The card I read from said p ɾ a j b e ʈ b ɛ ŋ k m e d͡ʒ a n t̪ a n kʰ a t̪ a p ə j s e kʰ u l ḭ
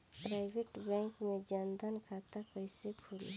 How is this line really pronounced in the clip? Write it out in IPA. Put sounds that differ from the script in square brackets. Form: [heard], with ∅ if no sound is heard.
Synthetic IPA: p ɾ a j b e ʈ b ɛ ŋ k m e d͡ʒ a n [d̪] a n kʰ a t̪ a p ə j s e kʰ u l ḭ